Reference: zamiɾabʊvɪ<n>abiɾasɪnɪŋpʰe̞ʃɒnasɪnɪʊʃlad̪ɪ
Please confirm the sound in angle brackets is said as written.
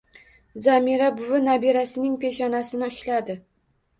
yes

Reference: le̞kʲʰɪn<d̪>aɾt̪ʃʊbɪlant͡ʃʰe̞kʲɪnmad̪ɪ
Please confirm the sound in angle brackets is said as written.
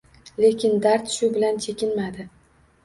yes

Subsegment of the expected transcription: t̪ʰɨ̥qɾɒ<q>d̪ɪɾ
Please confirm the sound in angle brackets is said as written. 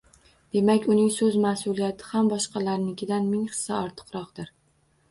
yes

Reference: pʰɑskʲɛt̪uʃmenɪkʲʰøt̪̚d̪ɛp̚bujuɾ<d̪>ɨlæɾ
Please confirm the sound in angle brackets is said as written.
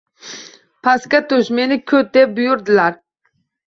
yes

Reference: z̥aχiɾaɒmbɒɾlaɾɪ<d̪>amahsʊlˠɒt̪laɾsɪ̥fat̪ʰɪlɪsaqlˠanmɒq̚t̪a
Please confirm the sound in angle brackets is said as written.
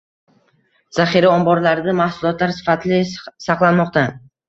yes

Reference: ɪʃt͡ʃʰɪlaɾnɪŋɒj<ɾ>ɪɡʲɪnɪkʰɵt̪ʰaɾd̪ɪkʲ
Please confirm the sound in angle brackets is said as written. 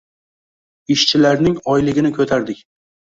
no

